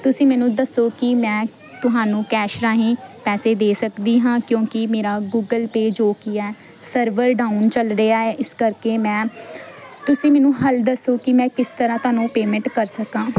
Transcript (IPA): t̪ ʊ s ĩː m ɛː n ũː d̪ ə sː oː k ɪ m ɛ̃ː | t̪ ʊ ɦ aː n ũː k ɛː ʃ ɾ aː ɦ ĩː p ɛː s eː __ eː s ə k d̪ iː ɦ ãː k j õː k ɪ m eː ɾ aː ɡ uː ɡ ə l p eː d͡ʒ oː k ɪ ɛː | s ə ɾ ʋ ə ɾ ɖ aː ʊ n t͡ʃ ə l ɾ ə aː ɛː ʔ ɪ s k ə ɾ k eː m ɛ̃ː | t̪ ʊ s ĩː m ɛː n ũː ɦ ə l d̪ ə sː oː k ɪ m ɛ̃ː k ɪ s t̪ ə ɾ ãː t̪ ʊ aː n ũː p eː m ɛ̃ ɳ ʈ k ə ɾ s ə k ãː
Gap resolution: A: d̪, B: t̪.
A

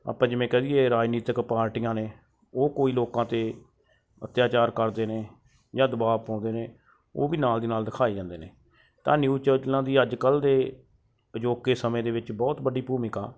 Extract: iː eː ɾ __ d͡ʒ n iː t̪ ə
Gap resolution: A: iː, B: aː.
B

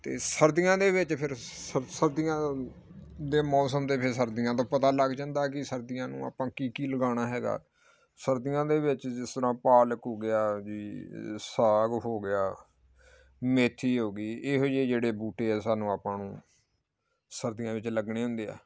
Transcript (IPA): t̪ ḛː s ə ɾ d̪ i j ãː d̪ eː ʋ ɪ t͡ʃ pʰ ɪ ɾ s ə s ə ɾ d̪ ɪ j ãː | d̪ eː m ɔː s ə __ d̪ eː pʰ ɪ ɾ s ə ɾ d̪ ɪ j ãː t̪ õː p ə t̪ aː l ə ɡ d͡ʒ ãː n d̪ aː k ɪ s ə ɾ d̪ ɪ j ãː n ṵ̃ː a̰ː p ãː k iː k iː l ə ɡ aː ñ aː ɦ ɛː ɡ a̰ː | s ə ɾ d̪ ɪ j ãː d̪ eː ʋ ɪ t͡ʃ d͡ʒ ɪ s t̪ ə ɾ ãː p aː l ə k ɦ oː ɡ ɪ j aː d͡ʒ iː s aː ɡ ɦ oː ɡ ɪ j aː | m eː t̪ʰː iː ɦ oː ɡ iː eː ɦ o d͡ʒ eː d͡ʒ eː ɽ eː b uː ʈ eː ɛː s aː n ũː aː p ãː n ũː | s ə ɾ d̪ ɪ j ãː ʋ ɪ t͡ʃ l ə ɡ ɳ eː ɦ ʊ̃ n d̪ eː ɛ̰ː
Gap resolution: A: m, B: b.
A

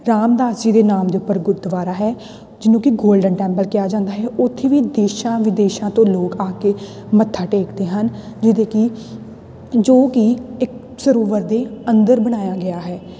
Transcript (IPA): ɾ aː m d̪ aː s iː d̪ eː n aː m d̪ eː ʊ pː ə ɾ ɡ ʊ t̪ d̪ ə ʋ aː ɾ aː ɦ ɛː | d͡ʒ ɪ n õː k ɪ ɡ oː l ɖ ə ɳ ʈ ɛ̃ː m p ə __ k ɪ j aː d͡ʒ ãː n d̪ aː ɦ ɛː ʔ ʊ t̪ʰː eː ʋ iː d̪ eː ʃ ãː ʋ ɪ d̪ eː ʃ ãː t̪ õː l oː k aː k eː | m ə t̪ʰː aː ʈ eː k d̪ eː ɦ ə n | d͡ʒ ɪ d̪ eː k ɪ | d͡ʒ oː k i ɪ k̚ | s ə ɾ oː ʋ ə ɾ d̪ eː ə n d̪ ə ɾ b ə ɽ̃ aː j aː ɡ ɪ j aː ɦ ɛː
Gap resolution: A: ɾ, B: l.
B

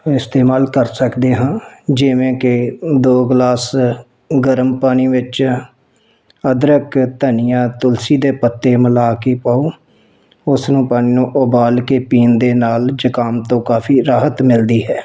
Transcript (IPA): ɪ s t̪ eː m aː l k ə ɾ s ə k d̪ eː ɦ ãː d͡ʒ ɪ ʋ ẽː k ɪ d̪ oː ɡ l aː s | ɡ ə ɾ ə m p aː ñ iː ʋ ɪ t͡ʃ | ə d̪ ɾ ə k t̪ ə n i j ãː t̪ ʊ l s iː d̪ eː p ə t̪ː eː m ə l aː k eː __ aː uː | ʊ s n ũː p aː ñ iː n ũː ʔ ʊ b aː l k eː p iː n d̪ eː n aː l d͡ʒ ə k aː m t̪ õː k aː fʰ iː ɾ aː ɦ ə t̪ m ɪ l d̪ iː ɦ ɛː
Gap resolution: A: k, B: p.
B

